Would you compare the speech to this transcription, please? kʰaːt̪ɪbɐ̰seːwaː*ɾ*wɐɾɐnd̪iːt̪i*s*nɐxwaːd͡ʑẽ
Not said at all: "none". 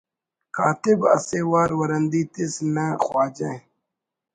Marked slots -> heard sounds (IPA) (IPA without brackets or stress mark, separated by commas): ɾ, s